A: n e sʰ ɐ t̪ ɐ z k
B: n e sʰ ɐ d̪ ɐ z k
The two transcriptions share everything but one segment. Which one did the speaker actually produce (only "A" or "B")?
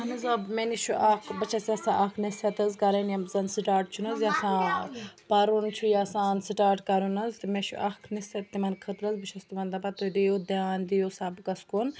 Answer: A